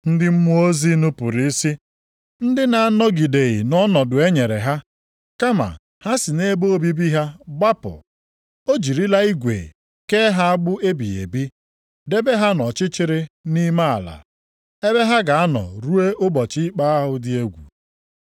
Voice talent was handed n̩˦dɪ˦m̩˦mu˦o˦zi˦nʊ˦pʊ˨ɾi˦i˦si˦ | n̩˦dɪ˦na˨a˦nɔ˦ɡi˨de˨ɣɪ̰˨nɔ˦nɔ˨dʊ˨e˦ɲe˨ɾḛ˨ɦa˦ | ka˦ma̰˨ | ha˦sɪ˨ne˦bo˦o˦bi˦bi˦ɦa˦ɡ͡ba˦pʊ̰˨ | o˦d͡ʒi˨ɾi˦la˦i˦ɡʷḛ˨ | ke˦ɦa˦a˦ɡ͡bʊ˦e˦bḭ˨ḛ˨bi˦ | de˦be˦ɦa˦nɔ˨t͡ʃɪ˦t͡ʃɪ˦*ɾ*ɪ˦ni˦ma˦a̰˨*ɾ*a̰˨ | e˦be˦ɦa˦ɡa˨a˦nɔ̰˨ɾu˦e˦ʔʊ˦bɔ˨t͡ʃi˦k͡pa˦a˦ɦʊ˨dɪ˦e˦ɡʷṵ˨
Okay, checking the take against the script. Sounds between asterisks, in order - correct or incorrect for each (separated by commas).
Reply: correct, incorrect